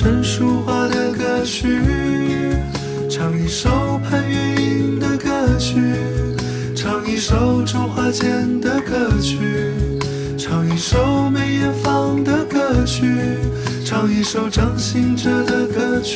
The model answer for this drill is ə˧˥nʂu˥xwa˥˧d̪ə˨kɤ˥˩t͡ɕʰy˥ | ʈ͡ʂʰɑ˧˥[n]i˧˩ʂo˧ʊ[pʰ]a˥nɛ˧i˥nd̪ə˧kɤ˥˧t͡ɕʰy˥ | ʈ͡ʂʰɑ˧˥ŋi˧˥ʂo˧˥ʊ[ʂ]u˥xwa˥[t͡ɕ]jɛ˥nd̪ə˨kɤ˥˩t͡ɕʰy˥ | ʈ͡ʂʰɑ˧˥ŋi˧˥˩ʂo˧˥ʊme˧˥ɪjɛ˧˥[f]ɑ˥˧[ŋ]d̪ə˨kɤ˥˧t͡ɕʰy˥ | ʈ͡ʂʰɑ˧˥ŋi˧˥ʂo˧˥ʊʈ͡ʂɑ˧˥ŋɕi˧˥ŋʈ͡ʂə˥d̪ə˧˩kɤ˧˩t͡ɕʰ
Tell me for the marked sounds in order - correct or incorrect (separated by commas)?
incorrect, correct, incorrect, correct, correct, correct